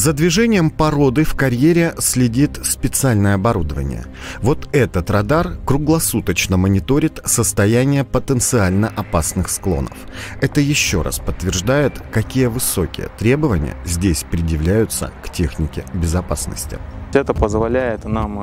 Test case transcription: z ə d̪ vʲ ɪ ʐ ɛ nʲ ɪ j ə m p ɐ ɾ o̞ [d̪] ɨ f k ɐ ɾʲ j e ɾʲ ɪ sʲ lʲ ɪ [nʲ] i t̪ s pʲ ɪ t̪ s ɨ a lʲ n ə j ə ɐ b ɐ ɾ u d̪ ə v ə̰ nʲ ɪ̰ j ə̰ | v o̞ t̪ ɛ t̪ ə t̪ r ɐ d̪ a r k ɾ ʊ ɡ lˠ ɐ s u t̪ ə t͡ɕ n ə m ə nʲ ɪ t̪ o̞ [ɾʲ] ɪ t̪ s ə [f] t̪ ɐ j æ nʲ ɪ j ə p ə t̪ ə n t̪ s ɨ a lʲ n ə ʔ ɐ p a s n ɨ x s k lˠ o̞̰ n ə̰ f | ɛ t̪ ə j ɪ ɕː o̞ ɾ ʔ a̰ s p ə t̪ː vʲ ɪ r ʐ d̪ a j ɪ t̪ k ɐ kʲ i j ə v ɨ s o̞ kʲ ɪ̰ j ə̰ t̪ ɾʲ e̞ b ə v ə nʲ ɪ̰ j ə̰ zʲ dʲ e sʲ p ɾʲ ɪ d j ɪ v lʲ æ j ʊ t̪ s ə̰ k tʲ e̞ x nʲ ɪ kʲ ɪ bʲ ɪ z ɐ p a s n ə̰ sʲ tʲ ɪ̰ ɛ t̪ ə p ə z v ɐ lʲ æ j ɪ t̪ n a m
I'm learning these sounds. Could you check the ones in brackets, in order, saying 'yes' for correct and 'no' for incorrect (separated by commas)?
yes, no, yes, no